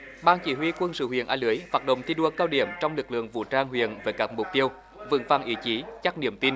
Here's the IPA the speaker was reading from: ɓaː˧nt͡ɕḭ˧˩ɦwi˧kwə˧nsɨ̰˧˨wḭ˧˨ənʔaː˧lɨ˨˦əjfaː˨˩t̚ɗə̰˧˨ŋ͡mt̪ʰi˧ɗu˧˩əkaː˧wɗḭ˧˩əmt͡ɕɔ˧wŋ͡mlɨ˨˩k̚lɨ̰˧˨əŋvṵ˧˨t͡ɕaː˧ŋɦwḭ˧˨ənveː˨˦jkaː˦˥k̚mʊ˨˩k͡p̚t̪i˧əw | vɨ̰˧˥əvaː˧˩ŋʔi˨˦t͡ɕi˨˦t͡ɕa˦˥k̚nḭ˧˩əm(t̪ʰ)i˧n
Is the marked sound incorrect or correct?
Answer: incorrect: t̪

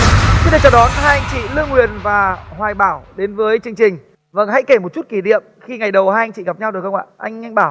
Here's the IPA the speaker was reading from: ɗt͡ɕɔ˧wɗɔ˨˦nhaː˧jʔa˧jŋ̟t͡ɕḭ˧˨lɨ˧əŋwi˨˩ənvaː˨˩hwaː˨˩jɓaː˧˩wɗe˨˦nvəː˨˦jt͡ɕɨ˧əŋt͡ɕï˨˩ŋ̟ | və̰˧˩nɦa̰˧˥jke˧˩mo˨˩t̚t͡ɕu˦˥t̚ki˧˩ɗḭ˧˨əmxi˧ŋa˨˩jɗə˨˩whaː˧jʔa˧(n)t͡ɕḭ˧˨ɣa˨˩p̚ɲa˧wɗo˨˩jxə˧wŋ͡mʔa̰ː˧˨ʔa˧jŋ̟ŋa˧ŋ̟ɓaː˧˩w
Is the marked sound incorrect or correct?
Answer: incorrect: ŋ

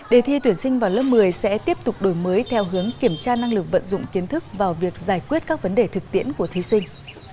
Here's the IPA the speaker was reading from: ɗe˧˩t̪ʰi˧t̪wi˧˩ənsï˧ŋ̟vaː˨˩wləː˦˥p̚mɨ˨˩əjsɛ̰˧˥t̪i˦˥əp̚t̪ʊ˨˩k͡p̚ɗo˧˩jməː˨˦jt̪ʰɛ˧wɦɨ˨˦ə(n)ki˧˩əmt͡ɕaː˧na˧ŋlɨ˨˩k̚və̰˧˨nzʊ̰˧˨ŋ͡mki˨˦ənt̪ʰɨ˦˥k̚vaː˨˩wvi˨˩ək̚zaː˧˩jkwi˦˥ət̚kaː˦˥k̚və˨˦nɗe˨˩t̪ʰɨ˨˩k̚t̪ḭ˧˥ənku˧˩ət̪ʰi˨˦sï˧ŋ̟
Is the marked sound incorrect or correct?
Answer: incorrect: ŋ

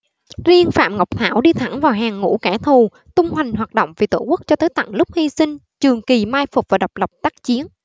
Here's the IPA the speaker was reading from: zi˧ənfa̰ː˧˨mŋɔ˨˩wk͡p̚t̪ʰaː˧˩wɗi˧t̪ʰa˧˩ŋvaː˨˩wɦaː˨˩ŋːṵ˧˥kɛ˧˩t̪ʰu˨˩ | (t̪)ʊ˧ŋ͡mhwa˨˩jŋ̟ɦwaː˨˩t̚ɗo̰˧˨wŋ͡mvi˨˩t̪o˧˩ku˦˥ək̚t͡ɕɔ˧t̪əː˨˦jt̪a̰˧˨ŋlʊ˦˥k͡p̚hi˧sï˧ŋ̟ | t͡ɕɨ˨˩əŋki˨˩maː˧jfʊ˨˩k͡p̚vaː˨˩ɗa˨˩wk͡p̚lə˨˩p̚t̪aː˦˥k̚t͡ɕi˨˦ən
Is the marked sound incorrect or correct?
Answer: correct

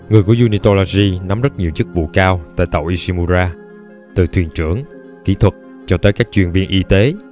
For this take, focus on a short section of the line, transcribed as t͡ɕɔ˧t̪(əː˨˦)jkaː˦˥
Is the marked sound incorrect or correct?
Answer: correct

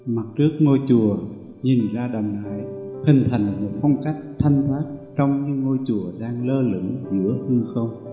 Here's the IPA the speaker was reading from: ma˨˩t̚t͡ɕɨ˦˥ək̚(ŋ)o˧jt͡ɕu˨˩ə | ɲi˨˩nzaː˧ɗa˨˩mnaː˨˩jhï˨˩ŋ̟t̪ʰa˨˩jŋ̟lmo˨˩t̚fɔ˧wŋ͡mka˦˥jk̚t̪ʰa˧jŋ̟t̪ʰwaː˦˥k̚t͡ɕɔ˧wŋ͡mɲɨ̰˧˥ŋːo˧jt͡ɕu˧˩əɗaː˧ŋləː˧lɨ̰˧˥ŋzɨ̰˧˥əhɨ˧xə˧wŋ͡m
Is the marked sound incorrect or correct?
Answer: correct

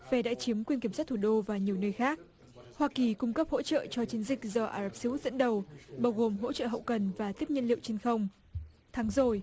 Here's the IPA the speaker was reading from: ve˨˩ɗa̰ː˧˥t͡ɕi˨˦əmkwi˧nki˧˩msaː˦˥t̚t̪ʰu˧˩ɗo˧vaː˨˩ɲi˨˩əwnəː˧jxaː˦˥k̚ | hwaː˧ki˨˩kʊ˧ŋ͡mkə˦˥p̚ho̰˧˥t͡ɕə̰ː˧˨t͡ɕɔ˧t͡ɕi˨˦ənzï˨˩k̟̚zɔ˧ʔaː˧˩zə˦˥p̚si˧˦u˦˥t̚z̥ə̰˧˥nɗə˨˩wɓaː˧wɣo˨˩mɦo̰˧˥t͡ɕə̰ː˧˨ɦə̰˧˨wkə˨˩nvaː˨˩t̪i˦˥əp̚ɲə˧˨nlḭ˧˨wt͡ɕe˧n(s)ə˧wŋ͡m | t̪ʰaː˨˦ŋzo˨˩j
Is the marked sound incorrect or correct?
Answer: incorrect: x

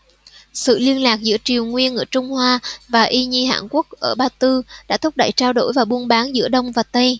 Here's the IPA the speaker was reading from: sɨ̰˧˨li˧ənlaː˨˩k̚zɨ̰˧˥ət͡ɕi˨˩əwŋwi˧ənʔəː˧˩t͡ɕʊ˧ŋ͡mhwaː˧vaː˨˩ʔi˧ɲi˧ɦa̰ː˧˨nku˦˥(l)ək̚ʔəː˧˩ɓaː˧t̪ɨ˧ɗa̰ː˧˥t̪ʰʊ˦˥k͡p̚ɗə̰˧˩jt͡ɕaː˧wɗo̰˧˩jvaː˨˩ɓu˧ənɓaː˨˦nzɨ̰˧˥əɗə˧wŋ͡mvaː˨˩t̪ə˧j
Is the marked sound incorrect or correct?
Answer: incorrect: none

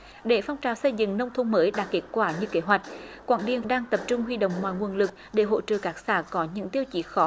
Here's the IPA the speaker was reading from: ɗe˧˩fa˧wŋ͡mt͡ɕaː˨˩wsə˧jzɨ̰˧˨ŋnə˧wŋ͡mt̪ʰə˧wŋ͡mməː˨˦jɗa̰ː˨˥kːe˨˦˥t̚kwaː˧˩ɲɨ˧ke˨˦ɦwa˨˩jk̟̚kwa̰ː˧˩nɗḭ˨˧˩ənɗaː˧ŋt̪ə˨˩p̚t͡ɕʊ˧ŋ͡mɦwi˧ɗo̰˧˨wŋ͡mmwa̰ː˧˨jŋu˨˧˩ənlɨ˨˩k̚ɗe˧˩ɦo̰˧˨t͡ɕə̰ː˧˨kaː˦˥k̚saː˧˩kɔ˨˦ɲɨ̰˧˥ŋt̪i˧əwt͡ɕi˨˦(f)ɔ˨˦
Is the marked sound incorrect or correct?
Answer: incorrect: x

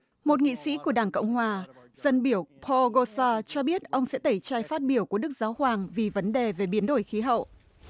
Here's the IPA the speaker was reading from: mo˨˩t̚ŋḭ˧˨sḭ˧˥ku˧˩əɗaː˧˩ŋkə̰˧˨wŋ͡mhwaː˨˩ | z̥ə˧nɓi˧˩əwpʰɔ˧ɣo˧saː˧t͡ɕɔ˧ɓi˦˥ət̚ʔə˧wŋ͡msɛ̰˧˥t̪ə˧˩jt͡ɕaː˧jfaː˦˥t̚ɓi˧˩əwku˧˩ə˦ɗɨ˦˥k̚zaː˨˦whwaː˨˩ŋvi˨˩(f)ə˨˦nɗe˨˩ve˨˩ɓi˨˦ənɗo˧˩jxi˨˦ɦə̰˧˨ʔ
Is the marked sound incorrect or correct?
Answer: incorrect: v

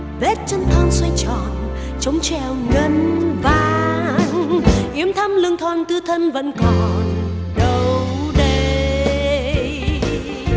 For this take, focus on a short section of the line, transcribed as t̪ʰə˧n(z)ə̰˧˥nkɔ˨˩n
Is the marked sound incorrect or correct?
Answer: incorrect: v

